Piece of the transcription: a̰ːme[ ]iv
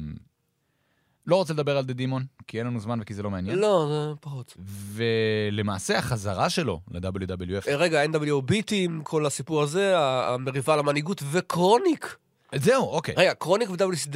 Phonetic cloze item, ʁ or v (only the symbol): ʁ